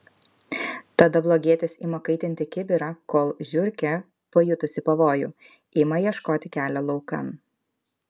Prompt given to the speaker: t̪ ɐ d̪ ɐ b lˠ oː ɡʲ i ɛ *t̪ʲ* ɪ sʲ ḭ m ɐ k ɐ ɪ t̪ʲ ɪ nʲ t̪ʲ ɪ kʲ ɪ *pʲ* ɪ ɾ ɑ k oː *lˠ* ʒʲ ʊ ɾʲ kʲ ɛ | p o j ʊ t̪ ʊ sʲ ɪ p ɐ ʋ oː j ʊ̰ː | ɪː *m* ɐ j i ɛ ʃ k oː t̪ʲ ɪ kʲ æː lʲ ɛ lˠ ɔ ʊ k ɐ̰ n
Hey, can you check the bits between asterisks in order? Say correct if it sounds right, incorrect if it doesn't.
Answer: correct, incorrect: bʲ, correct, correct

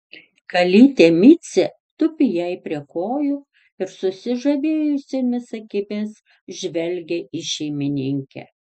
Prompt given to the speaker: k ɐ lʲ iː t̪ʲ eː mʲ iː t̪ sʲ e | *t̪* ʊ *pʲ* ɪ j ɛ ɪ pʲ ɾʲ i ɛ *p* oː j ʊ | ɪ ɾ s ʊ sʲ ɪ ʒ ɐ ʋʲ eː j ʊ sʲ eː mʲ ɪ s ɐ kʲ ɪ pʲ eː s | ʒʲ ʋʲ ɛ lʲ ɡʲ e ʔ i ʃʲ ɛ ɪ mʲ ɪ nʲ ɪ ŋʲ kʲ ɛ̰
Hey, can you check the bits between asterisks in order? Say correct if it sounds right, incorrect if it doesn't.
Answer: correct, correct, incorrect: k

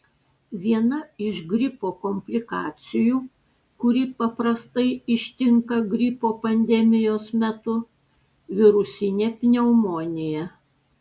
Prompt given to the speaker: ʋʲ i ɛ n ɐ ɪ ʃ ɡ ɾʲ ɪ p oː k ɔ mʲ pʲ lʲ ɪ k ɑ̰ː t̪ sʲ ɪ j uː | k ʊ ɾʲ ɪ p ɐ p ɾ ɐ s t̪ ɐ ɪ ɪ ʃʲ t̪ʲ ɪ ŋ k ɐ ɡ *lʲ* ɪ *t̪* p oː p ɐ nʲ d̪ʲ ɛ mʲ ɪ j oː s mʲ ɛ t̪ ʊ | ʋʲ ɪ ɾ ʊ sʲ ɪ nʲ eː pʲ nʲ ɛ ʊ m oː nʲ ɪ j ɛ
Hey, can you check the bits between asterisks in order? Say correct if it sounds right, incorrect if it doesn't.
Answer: incorrect: ɾʲ, incorrect: none

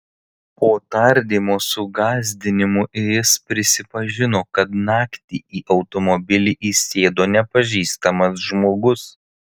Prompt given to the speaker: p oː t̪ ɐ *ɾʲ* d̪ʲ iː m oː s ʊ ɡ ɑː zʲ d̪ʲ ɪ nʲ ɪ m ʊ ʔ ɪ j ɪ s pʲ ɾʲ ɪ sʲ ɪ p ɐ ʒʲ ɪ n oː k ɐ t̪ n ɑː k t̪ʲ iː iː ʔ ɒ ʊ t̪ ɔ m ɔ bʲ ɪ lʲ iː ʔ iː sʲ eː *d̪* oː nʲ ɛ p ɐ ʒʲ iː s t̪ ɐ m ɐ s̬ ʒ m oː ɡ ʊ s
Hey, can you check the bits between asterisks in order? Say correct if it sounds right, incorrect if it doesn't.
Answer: correct, correct

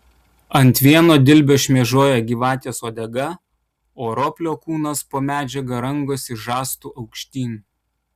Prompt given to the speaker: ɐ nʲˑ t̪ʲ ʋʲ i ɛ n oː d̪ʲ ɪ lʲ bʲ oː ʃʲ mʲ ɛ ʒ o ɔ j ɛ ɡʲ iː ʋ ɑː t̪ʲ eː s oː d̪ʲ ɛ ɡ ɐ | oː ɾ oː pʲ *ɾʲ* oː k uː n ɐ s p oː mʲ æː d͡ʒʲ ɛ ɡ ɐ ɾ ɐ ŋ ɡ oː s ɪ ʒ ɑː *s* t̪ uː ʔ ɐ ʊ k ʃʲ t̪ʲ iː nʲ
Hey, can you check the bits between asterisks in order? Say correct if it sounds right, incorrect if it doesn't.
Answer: incorrect: lʲ, correct

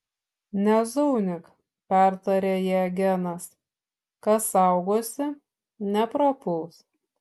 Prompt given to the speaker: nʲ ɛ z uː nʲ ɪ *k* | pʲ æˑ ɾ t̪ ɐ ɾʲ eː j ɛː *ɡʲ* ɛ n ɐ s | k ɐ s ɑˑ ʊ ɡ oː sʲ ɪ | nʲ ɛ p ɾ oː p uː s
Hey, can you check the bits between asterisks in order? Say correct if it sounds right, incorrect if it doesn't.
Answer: correct, correct

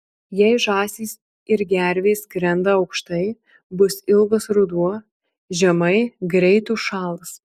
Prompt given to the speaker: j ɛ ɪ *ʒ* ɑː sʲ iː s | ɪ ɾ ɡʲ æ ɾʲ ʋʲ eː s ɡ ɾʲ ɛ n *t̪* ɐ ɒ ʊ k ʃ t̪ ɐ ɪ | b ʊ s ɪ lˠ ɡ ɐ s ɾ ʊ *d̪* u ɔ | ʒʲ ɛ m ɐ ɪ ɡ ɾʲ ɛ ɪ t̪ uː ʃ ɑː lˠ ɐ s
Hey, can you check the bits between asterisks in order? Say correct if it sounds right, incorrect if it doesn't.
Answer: correct, incorrect: d̪, correct

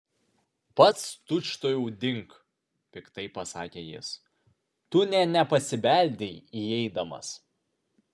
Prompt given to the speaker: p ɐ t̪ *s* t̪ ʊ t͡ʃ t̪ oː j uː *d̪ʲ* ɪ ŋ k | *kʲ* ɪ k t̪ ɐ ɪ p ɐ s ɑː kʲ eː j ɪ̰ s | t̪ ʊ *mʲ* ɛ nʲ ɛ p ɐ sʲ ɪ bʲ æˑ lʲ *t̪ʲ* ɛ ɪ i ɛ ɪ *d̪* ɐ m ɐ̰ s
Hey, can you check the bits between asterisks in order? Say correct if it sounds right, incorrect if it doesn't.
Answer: correct, correct, incorrect: pʲ, incorrect: nʲ, incorrect: d̪ʲ, correct

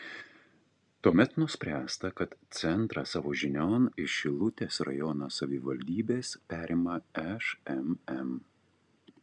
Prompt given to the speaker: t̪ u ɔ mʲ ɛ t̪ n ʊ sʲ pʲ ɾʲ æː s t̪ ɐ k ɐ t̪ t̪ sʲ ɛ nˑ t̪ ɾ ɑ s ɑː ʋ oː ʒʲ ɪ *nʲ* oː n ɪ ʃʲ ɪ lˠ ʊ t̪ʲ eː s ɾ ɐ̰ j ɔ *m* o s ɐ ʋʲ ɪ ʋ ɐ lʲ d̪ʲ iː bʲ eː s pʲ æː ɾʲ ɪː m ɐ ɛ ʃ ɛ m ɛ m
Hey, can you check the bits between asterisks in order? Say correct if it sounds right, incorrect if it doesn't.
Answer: correct, incorrect: n

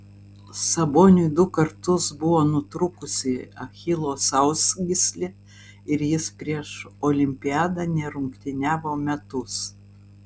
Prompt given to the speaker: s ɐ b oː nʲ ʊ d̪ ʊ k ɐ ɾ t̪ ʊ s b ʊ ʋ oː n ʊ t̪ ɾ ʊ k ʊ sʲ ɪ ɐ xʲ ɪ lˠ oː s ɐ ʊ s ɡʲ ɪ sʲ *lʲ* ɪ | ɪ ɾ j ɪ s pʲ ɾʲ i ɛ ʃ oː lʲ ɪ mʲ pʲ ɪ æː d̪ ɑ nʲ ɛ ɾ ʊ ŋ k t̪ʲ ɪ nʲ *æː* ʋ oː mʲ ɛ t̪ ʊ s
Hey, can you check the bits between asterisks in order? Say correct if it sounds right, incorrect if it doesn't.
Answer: correct, correct

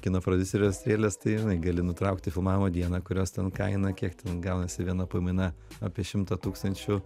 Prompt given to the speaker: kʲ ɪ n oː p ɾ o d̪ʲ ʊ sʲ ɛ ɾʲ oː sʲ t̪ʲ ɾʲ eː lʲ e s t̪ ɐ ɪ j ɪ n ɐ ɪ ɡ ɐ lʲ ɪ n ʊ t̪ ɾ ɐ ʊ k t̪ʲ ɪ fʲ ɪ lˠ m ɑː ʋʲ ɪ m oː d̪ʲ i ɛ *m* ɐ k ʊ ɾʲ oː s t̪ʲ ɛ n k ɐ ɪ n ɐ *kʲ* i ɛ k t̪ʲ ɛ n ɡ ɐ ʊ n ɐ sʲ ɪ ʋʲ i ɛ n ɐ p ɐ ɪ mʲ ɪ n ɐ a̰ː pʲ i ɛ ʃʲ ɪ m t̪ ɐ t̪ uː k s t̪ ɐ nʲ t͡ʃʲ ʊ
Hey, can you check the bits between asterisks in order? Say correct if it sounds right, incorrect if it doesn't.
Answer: incorrect: n, correct

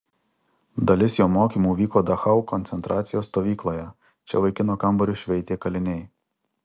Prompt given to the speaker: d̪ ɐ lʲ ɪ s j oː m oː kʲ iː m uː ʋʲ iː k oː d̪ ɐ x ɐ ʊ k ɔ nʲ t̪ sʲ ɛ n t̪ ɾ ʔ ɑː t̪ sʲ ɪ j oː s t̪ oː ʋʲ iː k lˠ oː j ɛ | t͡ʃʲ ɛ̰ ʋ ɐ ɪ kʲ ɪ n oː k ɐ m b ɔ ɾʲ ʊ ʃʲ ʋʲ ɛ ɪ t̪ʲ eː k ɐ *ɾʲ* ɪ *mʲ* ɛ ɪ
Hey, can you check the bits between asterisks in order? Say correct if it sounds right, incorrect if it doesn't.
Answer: incorrect: lʲ, incorrect: nʲ

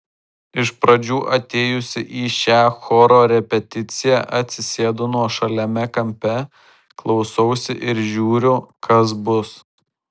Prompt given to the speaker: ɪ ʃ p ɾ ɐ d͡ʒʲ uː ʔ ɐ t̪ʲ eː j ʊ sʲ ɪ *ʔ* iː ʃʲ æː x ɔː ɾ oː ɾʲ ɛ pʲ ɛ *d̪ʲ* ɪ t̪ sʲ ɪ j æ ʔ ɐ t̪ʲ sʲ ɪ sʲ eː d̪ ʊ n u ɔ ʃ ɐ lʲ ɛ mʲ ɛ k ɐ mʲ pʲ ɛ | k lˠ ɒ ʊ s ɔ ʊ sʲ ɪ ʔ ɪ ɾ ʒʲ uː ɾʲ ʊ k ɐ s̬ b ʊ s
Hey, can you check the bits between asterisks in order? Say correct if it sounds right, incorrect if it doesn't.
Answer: correct, incorrect: t̪ʲ

